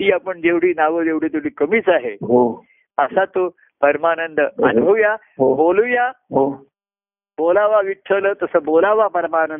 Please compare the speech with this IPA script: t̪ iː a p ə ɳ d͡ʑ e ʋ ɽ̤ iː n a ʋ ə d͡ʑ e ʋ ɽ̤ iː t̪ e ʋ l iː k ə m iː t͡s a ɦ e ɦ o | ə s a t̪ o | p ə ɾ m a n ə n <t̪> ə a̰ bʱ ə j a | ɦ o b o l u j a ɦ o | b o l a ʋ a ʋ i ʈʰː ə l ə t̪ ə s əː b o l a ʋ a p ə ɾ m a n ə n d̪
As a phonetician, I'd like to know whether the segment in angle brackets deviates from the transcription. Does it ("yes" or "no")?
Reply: yes